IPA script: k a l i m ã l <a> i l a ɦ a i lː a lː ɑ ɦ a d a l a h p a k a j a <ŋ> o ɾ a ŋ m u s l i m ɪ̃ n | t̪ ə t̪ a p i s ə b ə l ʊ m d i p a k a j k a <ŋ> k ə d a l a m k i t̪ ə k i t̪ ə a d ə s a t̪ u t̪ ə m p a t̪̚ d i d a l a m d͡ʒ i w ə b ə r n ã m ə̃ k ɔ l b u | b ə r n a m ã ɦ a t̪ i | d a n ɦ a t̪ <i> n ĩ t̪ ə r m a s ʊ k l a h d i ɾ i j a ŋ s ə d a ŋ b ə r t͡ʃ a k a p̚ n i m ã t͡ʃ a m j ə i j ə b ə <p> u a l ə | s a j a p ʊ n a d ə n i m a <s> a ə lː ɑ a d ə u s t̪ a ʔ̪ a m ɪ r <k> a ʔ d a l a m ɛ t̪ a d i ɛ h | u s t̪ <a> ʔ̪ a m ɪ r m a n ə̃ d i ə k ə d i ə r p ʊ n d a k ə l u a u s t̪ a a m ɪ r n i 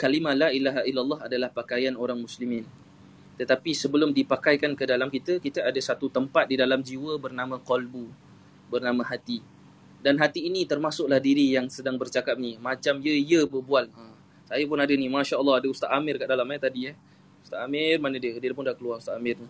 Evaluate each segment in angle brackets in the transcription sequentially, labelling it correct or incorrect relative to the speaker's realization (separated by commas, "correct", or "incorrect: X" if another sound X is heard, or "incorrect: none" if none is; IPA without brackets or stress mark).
correct, incorrect: n, incorrect: n, incorrect: iː, incorrect: b, incorrect: ʃ, correct, correct